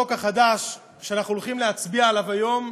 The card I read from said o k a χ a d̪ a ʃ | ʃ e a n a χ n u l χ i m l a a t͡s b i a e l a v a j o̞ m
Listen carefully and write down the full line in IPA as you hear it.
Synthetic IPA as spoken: o k a χ a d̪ a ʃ | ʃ e a n a χ n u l χ i m l e a t͡s b i a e l a v a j o̞ m